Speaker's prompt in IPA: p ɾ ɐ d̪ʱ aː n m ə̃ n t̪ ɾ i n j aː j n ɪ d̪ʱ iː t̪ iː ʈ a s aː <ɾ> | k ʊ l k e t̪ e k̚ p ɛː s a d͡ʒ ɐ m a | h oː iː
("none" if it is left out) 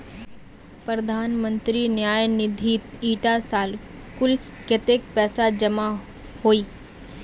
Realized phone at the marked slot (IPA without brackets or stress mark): l